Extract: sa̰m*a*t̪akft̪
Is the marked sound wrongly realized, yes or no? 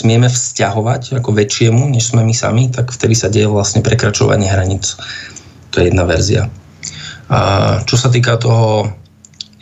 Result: yes